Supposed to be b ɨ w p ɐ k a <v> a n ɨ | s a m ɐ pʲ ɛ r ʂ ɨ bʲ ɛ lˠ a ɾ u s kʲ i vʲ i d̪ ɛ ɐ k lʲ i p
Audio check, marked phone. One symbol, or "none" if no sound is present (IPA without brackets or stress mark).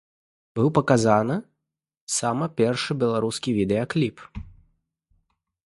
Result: z